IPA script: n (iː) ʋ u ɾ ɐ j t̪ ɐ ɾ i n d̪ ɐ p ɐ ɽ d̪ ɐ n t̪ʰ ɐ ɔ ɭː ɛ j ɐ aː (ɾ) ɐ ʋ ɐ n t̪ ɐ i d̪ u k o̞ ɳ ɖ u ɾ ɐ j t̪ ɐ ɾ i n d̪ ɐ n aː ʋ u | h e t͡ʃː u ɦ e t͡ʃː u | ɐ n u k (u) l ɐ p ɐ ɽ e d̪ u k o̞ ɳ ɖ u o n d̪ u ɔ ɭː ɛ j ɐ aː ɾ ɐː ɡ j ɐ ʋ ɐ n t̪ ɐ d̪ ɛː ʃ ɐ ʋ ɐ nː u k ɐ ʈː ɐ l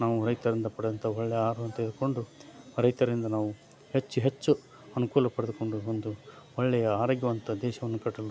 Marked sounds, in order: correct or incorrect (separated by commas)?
incorrect, correct, incorrect